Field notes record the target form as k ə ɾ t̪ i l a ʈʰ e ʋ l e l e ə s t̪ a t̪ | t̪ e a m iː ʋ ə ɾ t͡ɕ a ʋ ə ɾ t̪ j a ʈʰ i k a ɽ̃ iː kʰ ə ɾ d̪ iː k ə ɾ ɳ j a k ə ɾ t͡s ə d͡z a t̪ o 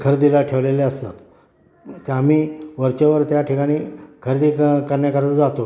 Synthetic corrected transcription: kʰ ə ɾ d̪ i l a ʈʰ e ʋ l e l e ə s t̪ a t̪ | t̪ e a m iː ʋ ə ɾ t͡ɕ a ʋ ə ɾ t̪ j a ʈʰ i k a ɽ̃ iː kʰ ə ɾ d̪ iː k ə ɾ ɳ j a k ə ɾ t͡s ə d͡z a t̪ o